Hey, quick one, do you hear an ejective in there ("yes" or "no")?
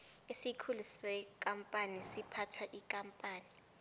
yes